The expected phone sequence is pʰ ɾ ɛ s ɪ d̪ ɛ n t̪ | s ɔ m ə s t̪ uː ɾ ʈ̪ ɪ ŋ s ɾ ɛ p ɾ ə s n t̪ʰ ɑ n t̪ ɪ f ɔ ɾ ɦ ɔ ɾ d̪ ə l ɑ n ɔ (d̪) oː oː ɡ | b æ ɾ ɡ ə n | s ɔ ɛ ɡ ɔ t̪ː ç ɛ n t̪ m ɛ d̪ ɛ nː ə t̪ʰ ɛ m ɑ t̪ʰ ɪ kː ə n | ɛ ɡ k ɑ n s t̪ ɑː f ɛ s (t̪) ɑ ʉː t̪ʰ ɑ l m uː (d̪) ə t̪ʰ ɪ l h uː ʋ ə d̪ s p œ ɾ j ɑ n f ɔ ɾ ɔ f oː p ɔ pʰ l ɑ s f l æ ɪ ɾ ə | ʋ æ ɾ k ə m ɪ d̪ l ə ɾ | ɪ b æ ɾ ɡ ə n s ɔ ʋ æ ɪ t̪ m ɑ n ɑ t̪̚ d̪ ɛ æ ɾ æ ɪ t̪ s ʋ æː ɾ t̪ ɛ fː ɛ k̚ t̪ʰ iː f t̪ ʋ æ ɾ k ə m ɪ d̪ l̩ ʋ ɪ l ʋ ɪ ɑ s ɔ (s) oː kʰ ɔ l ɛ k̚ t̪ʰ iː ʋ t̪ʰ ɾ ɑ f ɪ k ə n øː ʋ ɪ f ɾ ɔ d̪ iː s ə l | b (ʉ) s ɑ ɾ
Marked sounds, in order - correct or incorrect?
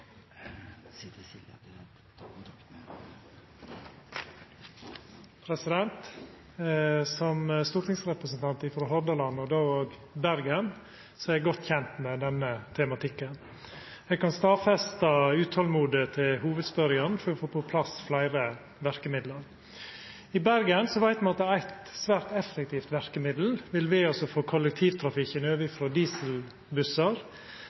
correct, correct, correct, incorrect, correct

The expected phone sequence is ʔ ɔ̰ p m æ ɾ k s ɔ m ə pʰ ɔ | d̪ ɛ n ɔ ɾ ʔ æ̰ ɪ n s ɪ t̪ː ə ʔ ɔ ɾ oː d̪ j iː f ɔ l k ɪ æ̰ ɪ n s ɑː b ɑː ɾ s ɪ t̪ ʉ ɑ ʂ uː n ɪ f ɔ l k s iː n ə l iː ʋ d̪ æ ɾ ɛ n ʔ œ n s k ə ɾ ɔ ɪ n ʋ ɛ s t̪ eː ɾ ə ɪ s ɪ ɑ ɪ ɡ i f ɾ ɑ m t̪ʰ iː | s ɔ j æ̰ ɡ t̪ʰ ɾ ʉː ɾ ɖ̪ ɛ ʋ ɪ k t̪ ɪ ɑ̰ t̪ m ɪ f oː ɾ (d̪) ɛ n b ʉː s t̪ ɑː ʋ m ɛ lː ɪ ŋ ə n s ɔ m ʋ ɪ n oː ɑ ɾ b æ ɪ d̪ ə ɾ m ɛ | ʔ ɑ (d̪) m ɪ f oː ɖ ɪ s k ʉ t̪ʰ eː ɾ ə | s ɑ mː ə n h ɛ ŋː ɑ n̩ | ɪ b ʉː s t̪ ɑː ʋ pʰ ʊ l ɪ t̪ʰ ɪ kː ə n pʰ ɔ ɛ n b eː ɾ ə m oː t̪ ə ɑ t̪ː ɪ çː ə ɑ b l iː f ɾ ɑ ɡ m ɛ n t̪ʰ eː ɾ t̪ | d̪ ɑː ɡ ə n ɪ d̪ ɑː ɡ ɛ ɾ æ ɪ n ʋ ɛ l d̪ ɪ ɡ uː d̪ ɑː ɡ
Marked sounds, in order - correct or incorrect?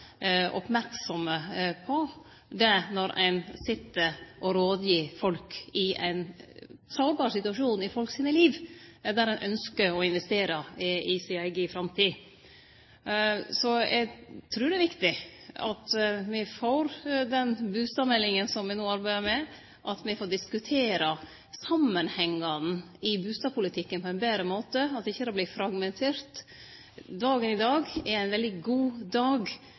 correct, incorrect

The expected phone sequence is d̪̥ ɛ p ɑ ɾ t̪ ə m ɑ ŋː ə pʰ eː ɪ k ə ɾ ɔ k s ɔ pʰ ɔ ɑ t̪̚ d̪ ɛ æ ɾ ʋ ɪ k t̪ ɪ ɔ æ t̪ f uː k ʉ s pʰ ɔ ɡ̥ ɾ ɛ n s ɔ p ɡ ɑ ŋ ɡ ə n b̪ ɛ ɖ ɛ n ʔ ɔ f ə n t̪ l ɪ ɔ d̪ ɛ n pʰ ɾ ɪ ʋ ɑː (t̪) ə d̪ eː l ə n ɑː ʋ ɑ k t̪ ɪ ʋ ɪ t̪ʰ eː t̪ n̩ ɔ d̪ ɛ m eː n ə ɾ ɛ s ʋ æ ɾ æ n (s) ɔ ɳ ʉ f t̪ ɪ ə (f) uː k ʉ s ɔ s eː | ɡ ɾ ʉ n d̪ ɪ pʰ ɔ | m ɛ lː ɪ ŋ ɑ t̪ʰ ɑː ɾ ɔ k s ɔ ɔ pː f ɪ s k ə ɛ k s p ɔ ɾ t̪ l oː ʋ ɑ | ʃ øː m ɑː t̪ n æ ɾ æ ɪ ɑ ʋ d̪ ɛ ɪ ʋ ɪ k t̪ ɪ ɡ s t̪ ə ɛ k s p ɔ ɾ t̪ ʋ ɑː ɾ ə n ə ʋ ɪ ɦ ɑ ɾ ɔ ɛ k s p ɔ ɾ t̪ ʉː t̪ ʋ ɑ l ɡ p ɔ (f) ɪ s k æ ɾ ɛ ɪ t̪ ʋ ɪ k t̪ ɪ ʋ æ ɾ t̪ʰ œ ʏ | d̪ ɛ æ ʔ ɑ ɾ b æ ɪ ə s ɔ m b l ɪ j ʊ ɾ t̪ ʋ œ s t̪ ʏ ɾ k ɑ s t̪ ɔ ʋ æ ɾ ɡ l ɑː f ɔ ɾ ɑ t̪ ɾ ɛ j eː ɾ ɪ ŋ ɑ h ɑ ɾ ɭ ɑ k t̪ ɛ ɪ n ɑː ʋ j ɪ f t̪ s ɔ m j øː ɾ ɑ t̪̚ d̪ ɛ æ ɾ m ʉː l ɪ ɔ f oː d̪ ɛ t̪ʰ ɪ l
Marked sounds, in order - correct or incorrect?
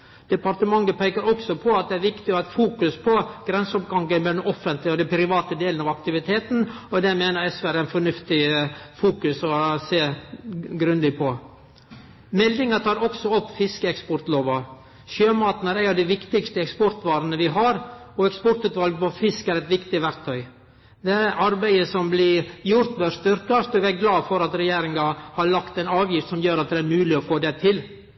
correct, incorrect, correct, correct

